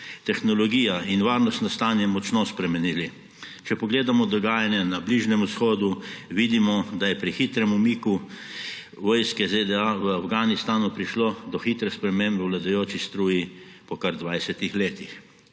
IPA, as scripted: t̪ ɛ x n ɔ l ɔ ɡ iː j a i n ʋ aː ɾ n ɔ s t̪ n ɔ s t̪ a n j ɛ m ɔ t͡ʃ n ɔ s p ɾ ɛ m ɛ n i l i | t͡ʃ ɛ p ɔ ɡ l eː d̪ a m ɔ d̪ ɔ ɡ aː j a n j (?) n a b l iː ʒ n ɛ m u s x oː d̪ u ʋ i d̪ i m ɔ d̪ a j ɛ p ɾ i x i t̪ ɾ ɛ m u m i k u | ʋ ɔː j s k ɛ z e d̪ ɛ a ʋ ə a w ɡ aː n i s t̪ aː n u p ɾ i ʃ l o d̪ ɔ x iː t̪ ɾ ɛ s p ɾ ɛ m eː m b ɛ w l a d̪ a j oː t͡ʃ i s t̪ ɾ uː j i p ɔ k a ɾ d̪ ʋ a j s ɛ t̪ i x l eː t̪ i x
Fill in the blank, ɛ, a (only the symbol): ɛ